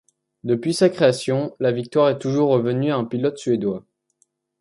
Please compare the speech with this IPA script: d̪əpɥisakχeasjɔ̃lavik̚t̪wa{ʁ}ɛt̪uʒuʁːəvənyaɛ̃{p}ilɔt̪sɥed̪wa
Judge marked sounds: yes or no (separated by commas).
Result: yes, yes